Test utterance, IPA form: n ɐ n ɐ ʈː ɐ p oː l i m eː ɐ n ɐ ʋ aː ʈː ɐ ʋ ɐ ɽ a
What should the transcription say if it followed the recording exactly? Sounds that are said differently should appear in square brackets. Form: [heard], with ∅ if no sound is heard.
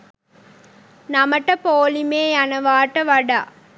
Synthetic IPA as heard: n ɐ [m] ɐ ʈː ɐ p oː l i m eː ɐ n ɐ ʋ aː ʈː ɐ ʋ ɐ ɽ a